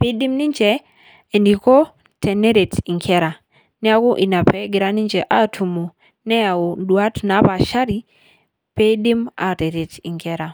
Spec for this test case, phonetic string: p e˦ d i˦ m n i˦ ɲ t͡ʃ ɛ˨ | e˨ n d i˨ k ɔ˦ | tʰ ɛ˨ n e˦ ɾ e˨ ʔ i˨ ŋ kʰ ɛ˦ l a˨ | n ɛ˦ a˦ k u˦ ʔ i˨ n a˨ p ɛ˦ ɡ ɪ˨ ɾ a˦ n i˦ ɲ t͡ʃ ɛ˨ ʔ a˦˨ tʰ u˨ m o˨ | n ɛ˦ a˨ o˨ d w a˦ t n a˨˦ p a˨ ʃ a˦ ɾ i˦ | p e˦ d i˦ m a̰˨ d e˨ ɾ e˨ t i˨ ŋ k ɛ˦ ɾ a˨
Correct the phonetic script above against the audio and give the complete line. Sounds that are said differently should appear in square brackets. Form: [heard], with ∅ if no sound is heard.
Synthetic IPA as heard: p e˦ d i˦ m n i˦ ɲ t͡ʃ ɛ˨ | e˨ n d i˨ k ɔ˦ | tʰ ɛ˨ n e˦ ɾ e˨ [t] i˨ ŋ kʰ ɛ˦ [ɾ] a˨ | n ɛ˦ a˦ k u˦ ʔ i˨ n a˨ p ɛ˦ ɡ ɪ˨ ɾ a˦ n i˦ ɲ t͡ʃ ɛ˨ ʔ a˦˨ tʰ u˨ m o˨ | n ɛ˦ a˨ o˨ d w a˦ t n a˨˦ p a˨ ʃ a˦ ɾ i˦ | p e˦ d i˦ m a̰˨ [t] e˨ ɾ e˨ t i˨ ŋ k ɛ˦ ɾ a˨